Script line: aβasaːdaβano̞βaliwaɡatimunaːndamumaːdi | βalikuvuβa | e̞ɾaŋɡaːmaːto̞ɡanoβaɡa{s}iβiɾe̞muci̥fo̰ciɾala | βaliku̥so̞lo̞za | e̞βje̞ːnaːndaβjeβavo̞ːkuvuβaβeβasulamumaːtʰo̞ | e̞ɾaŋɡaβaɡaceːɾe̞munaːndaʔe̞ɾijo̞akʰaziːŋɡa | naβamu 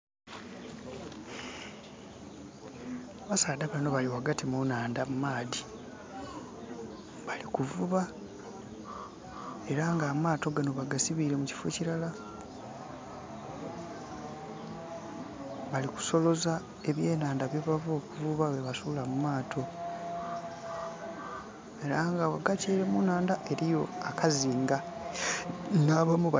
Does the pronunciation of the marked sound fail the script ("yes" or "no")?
no